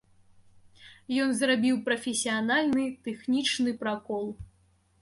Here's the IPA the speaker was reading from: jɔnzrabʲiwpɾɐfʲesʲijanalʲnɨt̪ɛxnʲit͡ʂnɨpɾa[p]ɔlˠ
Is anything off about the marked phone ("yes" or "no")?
yes